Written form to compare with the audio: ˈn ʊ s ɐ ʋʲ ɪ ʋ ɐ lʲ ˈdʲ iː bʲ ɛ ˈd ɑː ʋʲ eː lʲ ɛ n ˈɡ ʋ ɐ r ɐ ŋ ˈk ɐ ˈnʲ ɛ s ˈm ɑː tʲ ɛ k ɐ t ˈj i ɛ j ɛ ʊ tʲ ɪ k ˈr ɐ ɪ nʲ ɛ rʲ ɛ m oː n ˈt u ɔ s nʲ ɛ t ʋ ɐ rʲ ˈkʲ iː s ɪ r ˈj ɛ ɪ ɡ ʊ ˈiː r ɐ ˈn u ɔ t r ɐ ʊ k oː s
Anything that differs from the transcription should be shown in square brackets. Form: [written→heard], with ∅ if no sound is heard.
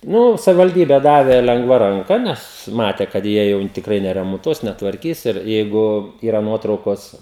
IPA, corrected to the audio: ˈn ʊ s ɐ ʋʲ ɪ ʋ ɐ lʲ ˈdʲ iː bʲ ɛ ˈd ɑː ʋʲ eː lʲ ɛ [n→ŋ] ˈɡ ʋ ɐ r ɐ ŋ ˈk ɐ ˈnʲ ɛ s ˈm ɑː tʲ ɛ k ɐ t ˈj i ɛ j ɛ ʊ tʲ ɪ k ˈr ɐ ɪ nʲ ɛ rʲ ɛ m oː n ˈt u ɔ s nʲ ɛ t ʋ ɐ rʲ ˈkʲ iː s ɪ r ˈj ɛ ɪ ɡ ʊ ˈiː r ɐ ˈn u ɔ t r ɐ ʊ k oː s

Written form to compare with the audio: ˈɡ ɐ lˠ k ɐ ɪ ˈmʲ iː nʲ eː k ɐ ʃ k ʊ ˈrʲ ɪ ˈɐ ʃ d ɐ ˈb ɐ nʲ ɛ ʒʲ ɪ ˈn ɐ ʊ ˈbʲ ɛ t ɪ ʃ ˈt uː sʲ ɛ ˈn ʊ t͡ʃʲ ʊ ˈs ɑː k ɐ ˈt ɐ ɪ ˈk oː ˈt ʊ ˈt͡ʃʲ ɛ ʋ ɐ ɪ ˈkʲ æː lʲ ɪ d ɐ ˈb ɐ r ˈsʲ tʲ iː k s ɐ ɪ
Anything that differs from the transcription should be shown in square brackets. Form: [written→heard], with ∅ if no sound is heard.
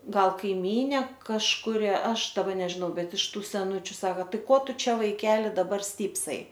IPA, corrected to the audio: ˈɡ ɐ lˠ k ɐ ɪ ˈmʲ iː nʲ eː k ɐ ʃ k ʊ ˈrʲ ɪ ˈɐ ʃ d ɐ ˈb ɐ nʲ ɛ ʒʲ ɪ ˈn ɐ ʊ ˈbʲ ɛ t ɪ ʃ ˈt uː sʲ ɛ ˈn ʊ t͡ʃʲ ʊ ˈs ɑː k ɐ ˈt ɐ ɪ ˈk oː ˈt ʊ ˈt͡ʃʲ ɛ ʋ ɐ ɪ ˈkʲ æː lʲ ɪ d ɐ ˈb ɐ r ˈsʲ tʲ iː [k→p] s ɐ ɪ

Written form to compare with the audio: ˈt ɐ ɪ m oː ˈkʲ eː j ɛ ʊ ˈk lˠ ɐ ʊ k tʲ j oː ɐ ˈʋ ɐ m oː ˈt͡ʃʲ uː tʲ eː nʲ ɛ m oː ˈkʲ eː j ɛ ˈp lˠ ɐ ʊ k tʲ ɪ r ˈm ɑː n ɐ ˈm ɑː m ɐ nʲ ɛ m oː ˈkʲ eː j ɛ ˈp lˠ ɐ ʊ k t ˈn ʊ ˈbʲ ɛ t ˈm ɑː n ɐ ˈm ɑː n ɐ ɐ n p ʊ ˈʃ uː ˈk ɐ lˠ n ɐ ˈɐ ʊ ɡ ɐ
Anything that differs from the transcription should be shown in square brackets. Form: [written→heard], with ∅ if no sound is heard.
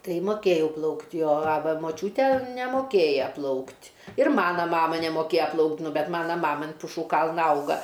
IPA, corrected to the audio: ˈt ɐ ɪ m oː ˈkʲ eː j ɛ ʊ [ˈk→ˈp] lˠ ɐ ʊ k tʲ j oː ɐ ˈʋ ɐ m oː ˈt͡ʃʲ uː tʲ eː nʲ ɛ m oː ˈkʲ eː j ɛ ˈp lˠ ɐ ʊ k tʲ ɪ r ˈm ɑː n ɐ ˈm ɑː m ɐ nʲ ɛ m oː ˈkʲ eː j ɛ ˈp lˠ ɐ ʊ k t ˈn ʊ ˈbʲ ɛ t ˈm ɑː n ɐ ˈm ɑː [n→m] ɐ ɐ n p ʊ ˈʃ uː ˈk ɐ lˠ n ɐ ˈɐ ʊ ɡ ɐ

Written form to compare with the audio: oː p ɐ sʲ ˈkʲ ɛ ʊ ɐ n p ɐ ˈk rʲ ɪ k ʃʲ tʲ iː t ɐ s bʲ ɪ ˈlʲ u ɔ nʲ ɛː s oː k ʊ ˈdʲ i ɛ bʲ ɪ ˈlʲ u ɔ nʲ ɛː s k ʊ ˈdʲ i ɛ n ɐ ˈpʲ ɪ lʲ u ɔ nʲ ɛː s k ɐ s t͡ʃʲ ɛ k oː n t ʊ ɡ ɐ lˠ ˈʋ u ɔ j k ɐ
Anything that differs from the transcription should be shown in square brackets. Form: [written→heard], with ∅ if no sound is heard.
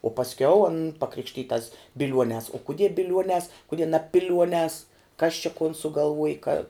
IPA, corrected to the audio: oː p ɐ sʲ ˈkʲ ɛ ʊ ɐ n p ɐ ˈk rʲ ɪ k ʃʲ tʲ iː t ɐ s bʲ ɪ ˈlʲ u ɔ nʲ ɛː s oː k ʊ ˈdʲ i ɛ bʲ ɪ ˈlʲ u ɔ nʲ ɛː s k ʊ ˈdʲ i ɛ n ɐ ˈpʲ ɪ lʲ u ɔ nʲ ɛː s k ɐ s t͡ʃʲ ɛ k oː n [t→s] ʊ ɡ ɐ lˠ ˈʋ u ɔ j k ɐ

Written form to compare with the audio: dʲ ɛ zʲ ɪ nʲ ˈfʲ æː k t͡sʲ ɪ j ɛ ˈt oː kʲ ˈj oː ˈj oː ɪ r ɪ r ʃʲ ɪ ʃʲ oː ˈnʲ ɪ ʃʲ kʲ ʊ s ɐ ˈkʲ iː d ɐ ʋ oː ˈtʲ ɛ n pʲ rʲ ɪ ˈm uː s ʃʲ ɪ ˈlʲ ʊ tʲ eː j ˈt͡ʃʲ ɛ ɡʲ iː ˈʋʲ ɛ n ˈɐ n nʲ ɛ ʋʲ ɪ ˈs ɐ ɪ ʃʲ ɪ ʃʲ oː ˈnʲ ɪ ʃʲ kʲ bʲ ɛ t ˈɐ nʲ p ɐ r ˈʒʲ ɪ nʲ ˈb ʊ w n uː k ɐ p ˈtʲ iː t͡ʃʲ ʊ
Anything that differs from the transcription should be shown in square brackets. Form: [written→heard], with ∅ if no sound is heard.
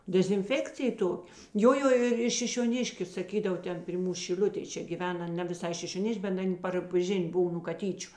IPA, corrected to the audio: dʲ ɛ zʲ ɪ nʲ ˈfʲ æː k t͡sʲ ɪ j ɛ ˈt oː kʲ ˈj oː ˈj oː ɪ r ɪ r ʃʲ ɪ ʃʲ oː ˈnʲ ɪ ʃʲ kʲ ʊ s ɐ ˈkʲ iː d ɐ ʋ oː ˈtʲ ɛ n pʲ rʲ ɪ ˈm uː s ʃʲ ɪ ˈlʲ ʊ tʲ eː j ˈt͡ʃʲ ɛ ɡʲ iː ˈʋʲ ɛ n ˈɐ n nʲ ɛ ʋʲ ɪ ˈs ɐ ɪ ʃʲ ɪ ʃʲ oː ˈnʲ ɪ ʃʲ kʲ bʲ ɛ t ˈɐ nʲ p ɐ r ˈʒʲ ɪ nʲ ˈb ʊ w n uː k ɐ [p→∅] ˈtʲ iː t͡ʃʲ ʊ

